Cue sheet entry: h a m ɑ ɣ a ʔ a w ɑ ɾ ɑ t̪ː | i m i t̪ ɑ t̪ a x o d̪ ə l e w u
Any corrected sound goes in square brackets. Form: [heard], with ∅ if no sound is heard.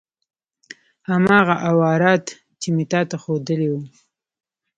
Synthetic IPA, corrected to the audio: h a m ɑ ɣ a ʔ a w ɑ ɾ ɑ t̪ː | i m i t̪ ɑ t̪ a x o d̪ ə l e w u